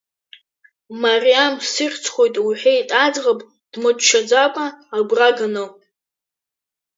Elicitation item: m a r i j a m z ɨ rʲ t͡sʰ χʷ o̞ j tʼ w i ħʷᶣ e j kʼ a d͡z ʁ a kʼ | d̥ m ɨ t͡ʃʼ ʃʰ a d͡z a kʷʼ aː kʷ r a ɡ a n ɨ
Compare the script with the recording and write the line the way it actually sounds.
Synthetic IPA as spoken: m a r i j a m s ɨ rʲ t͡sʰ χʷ o̞ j tʼ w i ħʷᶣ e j tʼ a d͡z ʁ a pʼ | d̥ m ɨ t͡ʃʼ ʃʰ a d͡z a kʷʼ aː ɡʷ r a ɡ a n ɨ